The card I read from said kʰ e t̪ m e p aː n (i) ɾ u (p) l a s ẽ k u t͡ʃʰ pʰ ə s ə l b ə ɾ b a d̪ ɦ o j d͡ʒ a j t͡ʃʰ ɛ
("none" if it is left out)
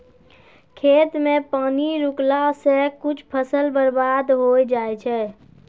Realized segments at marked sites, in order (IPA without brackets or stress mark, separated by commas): i, k